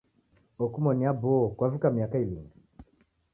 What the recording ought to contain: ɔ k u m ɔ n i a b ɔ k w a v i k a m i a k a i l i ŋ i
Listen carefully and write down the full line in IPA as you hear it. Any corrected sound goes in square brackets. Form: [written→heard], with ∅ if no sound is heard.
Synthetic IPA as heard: ɔ k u m ɔ n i a b ɔ k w a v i k a m i a k a i l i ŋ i